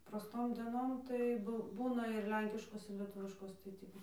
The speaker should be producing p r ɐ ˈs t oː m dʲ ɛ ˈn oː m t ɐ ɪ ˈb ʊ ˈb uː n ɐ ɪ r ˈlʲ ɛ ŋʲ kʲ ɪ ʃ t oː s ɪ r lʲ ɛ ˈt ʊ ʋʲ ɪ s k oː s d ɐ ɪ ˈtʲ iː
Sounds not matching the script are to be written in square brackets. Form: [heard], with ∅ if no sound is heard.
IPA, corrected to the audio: p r ɐ ˈs t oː m dʲ ɛ ˈn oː m t ɐ ɪ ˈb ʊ ˈb uː n ɐ ɪ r ˈlʲ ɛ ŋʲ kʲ ɪ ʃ [k] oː s ɪ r lʲ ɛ ˈt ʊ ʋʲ ɪ [ʃ] k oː s [t] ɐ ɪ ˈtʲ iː

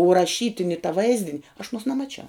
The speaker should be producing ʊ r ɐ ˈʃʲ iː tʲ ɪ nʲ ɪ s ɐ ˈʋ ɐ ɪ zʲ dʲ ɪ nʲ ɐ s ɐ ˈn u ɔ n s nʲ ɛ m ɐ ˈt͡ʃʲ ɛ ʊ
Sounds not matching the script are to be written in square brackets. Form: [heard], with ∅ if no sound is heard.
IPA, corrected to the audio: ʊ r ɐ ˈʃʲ iː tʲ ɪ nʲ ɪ [t] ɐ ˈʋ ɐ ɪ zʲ dʲ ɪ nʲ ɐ [ʃ] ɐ ˈn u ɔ [∅] s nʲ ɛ m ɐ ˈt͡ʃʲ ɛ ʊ

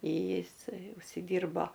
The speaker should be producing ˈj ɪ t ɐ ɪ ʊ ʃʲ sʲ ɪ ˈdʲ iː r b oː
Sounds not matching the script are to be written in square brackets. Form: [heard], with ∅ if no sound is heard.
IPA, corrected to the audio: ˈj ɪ [s] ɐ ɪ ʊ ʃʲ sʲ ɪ ˈdʲ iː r b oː

